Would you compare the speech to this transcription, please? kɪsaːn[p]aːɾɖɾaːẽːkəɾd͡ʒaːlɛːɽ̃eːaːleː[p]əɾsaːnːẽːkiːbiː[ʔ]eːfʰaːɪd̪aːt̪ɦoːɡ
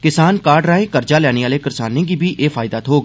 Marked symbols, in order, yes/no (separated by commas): no, no, yes